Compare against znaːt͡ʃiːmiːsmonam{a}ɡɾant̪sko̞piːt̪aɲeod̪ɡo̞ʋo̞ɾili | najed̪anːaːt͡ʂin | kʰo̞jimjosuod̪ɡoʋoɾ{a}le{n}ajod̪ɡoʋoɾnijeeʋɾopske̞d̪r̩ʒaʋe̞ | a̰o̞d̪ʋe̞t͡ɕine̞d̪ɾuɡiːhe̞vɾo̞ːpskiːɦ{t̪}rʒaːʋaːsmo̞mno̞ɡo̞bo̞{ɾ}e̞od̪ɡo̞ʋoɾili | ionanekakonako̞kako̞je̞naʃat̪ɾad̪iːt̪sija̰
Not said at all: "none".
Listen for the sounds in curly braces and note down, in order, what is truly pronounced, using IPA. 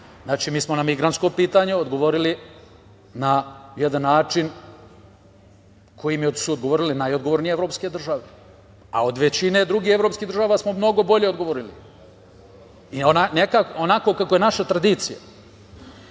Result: i, i, n, d̪, ʎ

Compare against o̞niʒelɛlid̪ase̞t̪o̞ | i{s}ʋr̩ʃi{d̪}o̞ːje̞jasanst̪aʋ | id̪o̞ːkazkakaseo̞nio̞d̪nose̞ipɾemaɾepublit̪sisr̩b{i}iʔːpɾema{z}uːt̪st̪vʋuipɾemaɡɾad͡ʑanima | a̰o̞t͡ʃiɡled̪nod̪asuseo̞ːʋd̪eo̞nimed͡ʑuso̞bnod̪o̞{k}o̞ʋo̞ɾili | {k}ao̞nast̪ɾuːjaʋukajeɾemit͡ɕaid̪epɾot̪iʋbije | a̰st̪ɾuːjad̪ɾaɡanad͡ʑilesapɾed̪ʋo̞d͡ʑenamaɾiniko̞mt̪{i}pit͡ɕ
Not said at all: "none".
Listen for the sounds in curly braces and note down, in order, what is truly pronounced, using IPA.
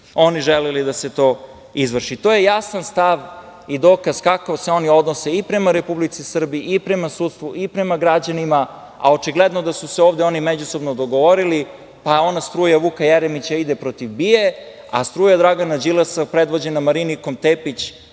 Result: z, t̪, i, s, ɡ, p, e

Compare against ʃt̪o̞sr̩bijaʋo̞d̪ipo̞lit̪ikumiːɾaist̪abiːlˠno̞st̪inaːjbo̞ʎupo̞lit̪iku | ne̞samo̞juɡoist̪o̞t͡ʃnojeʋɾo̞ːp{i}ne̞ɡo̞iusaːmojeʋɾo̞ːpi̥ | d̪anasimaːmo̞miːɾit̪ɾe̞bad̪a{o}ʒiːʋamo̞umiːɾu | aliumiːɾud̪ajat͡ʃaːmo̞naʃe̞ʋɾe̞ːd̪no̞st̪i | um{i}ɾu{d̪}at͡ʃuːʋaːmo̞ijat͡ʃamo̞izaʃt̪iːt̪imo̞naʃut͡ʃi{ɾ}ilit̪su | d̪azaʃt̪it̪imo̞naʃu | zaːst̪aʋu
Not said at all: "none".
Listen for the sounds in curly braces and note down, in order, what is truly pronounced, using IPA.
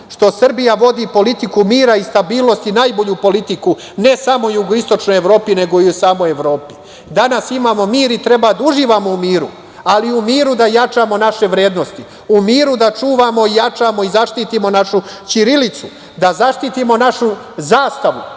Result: i, u, iː, d̪, ɾ

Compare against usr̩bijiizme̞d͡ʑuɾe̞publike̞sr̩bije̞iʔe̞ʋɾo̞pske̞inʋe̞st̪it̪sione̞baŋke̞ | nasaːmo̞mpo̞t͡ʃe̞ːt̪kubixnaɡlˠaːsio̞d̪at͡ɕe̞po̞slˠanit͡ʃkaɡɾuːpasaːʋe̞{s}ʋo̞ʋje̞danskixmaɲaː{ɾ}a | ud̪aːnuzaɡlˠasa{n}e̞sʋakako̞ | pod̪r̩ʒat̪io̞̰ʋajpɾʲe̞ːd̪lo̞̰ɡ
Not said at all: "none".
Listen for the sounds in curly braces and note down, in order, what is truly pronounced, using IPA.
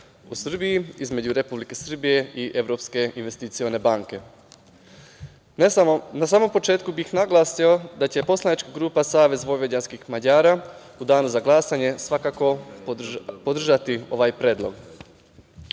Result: z, ɾ, ɲ

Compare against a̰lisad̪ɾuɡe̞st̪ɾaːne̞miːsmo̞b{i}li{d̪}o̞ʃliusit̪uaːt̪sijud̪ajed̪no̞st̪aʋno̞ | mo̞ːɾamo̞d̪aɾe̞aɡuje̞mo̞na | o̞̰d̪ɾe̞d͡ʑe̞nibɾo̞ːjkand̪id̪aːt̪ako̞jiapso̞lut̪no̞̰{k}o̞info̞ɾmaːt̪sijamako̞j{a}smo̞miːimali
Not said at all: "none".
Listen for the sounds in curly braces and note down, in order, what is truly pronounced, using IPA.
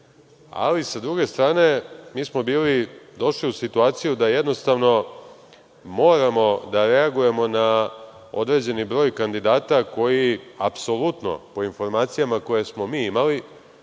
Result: iː, d̪, p, e

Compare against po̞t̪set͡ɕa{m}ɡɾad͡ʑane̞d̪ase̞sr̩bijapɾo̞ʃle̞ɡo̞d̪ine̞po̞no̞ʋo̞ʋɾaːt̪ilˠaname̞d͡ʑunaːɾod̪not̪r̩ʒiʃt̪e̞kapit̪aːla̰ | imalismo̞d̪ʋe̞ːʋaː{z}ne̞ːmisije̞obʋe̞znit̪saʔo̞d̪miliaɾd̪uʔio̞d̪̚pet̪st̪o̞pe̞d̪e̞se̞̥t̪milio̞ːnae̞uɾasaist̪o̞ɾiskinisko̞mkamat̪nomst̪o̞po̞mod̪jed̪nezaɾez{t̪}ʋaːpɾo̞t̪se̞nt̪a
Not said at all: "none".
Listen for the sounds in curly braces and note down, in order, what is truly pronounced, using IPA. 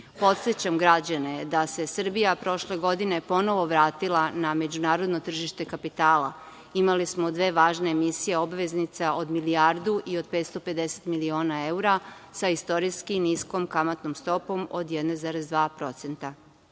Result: m, ʒ, d̪

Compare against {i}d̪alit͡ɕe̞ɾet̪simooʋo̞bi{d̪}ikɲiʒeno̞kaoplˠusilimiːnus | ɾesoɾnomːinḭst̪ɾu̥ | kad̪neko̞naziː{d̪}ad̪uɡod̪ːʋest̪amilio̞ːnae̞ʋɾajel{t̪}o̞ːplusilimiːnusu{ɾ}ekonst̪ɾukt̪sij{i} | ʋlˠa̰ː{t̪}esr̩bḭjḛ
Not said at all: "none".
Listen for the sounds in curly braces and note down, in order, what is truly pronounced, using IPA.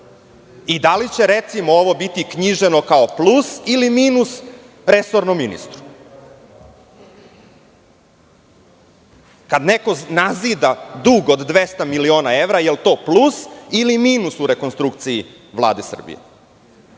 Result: i, t̪, d̪, t̪, ɾ, i, d̪

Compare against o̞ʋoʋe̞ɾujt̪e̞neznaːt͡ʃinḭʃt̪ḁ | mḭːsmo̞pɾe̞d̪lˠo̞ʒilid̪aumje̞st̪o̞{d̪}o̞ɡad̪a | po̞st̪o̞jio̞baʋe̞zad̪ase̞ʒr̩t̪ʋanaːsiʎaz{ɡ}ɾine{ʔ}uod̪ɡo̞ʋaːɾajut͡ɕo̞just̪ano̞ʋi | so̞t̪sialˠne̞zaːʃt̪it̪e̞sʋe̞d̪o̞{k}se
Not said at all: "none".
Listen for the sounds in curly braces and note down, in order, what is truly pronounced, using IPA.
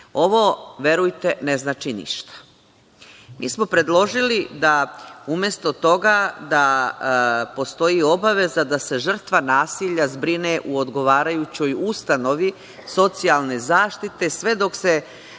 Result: t̪, b, ʔ, k

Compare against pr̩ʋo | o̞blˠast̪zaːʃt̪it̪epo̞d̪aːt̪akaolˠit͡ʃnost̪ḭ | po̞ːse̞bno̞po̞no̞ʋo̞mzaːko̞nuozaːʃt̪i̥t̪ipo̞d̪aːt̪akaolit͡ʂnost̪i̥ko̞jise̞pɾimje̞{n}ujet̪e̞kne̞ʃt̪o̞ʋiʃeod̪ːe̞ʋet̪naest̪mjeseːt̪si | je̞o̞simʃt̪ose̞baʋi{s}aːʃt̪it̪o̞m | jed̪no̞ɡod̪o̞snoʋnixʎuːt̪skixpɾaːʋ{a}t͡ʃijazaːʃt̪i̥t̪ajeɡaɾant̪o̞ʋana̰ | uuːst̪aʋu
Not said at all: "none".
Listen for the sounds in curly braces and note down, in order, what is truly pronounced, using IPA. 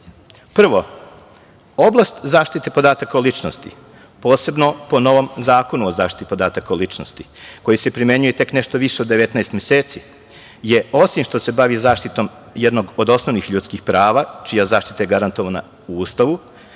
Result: ɲ, z, a

